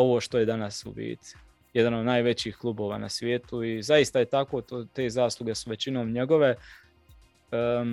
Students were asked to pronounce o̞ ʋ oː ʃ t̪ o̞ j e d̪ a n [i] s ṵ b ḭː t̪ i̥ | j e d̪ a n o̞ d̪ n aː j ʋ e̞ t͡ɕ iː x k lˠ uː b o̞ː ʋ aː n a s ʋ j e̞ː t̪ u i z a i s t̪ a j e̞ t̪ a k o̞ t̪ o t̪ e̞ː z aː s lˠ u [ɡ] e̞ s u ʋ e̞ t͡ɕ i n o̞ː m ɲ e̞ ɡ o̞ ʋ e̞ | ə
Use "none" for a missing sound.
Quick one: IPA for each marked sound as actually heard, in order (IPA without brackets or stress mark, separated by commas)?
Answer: a, ɡ